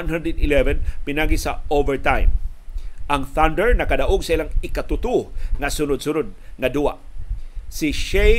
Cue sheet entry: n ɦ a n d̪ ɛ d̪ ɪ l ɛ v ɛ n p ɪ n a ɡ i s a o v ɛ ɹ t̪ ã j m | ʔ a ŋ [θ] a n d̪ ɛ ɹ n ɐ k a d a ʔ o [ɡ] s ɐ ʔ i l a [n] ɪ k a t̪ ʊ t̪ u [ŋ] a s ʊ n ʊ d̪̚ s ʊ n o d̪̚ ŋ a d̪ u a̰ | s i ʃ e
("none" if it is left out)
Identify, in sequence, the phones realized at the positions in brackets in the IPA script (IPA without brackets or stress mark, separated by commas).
θ, ɡ, ŋ, ŋ